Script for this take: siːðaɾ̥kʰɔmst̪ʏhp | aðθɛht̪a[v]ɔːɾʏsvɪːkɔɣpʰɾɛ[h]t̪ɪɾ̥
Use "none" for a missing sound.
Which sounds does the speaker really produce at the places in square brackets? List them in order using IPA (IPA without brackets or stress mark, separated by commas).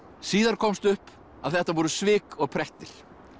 v, h